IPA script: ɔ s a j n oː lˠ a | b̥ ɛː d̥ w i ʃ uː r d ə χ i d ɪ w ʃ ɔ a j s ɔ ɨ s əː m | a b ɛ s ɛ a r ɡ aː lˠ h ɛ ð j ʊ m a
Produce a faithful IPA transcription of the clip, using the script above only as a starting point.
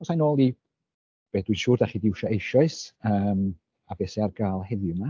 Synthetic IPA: ɔ s a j n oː lˠ i | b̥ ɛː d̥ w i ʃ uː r d a χ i d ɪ w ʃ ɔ e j ʃ ɔ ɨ s əː m | a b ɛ s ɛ a r ɡ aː lˠ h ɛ ð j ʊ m a